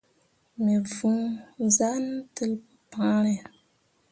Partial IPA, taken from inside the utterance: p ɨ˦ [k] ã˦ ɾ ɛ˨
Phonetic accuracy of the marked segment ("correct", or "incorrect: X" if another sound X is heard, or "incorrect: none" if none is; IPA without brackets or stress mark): incorrect: p